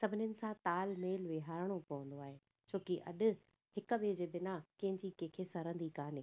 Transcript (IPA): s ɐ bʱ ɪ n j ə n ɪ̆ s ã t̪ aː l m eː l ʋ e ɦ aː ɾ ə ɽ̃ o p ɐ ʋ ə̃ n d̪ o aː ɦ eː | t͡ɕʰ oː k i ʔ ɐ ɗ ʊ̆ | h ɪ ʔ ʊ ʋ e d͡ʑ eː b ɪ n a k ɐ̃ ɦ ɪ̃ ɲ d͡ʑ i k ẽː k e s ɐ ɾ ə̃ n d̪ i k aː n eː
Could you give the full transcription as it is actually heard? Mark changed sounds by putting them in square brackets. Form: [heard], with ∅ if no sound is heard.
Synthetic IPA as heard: s ɐ bʱ ɪ n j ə n ɪ̆ s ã t̪ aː l m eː l ʋ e ɦ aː ɾ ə ɽ̃ o p ɐ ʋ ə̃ n d̪ o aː ɦ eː | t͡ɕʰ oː k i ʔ ɐ ɗ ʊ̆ | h ɪ [k] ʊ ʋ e d͡ʑ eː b ɪ n a k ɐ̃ ɦ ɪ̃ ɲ d͡ʑ i k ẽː [kʰ] e s ɐ ɾ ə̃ n d̪ i k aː n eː

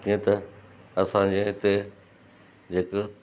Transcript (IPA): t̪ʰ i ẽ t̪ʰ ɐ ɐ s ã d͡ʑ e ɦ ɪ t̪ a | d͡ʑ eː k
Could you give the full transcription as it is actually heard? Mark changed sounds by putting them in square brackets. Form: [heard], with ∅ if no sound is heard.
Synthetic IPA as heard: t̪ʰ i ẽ [t̪] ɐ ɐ s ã d͡ʑ e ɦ ɪ t̪ [e] | d͡ʑ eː k

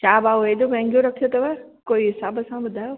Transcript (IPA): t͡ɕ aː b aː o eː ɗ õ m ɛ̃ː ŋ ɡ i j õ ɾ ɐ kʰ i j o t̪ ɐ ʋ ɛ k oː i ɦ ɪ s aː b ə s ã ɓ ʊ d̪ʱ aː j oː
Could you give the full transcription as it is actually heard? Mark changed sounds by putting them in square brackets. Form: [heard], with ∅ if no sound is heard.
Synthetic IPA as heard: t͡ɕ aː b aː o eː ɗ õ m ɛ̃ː ŋ ɡ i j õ ɾ ɐ kʰ i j o t̪ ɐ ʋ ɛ k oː i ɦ ɪ s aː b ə s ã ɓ ʊ d̪ʱ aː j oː

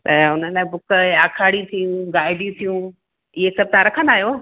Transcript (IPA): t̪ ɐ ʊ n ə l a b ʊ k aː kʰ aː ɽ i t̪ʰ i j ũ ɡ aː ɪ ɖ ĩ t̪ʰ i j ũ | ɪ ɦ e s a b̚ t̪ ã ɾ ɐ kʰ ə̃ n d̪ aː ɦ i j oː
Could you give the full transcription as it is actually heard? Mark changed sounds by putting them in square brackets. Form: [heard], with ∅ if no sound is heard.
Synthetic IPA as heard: t̪ ɐ ʊ n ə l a b ʊ k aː kʰ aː ɽ i t̪ʰ i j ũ ɡ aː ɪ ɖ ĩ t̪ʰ i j ũ | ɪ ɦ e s [ɐ] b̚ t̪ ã ɾ ɐ kʰ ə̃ n d̪ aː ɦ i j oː

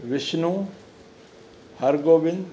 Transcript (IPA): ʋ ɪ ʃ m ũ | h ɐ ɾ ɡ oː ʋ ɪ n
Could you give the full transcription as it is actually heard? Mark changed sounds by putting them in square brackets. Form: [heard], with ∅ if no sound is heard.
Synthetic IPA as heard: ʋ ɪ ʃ [n] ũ | h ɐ ɾ ɡ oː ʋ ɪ n

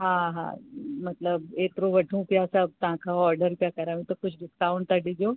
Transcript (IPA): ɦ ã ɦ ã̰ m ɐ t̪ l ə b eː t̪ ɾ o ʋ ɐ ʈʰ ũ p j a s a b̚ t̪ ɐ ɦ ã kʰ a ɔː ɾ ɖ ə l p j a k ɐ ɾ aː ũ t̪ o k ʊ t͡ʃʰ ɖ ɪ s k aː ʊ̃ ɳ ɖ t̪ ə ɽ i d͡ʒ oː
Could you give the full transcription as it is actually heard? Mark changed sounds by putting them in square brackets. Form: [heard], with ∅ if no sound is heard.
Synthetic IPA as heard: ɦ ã ɦ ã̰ m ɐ t̪ l ə b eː t̪ ɾ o ʋ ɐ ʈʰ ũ p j a s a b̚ t̪ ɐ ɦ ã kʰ a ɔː ɾ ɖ ə [ɾ] p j a k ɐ ɾ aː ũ t̪ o k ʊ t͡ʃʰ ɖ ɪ s k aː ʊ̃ ɳ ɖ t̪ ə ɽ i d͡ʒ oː

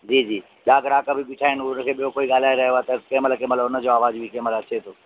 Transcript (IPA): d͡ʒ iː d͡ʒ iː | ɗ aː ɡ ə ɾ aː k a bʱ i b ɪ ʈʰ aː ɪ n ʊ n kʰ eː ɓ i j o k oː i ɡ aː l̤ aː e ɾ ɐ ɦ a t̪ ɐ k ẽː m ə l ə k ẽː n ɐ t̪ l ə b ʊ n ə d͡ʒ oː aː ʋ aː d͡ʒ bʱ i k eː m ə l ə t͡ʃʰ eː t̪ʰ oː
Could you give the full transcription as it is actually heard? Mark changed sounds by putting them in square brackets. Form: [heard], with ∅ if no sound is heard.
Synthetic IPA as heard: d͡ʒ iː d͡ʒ iː | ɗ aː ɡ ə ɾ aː k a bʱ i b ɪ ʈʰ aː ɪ n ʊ n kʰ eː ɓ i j o k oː i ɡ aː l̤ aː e ɾ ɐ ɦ a t̪ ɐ k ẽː m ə l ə k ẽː [m] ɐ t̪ l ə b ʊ n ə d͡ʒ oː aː ʋ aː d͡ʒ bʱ i k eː m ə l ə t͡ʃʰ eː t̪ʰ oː

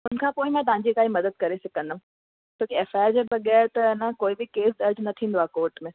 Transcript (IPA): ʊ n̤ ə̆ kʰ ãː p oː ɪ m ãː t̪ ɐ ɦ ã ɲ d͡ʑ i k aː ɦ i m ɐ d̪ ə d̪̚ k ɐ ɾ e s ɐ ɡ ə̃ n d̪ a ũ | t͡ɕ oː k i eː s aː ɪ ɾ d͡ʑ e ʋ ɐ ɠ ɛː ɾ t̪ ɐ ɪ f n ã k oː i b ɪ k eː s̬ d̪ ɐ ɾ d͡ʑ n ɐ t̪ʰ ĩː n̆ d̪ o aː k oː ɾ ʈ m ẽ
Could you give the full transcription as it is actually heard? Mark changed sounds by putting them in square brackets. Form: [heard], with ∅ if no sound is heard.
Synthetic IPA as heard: ʊ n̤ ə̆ kʰ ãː p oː ɪ m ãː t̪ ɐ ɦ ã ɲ d͡ʑ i k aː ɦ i m ɐ d̪ ə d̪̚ k ɐ ɾ e s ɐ [k] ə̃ n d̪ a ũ | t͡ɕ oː k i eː [f] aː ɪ ɾ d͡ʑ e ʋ ɐ ɠ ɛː ɾ t̪ ɐ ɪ [∅] n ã k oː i b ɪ k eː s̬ d̪ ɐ ɾ d͡ʑ n ɐ t̪ʰ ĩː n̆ d̪ o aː k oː ɾ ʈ m ẽ

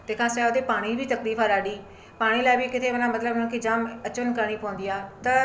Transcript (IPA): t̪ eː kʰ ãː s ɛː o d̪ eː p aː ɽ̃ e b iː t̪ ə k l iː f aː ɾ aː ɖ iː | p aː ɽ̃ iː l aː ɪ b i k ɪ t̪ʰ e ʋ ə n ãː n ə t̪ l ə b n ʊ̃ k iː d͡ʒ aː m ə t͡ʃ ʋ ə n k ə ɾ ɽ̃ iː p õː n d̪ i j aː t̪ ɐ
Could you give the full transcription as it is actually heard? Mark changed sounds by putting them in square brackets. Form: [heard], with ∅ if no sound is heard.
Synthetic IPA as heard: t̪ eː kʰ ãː s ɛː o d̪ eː p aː ɽ̃ [i] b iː t̪ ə k l iː f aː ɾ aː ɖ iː | p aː ɽ̃ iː l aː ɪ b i k ɪ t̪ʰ e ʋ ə n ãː [m] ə t̪ l ə b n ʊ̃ k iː d͡ʒ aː m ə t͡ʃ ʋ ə n k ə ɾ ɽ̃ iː p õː n d̪ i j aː t̪ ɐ

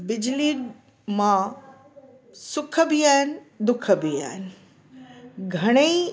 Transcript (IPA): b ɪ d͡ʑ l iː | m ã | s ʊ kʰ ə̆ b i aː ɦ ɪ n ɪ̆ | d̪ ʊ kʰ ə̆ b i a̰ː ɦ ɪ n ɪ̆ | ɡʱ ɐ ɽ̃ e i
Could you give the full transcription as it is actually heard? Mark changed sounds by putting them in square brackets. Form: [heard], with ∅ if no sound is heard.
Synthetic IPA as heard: b ɪ d͡ʑ l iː | m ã | s ʊ kʰ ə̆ b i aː ɦ ɪ n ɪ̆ | d̪ ʊ kʰ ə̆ b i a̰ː ɦ ɪ n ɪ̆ | ɡʱ ɐ ɽ̃ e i

